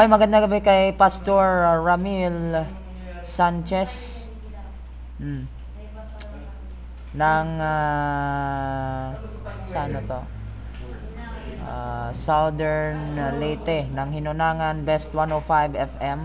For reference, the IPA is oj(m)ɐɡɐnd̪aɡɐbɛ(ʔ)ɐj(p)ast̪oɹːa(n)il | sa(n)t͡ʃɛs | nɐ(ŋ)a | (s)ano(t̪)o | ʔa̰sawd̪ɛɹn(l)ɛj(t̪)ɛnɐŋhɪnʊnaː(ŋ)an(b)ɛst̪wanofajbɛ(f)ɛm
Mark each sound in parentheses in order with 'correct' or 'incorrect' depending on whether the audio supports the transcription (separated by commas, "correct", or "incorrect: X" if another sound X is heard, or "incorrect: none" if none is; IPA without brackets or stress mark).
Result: correct, incorrect: k, correct, incorrect: m, correct, correct, correct, correct, correct, correct, correct, correct, correct